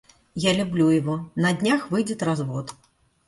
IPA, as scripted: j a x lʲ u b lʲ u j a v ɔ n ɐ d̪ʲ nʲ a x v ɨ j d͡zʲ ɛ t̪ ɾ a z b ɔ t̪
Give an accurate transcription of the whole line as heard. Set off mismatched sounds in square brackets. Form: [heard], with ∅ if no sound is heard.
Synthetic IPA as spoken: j a [∅] lʲ u b lʲ u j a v ɔ n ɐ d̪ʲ nʲ a x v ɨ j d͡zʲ ɛ t̪ ɾ a z [v] ɔ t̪